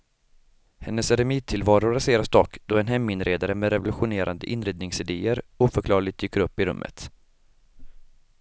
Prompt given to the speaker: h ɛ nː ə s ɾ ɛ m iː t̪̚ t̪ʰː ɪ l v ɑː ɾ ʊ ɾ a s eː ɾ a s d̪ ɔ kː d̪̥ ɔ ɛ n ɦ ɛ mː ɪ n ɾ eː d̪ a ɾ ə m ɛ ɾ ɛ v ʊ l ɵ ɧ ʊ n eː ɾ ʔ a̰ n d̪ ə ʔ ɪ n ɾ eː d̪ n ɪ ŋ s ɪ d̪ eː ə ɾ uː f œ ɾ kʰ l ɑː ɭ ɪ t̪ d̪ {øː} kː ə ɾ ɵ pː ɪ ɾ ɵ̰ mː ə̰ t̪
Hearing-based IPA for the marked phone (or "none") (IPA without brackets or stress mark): yː